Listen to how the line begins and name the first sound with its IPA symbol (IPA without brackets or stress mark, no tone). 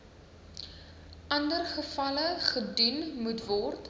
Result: ɐ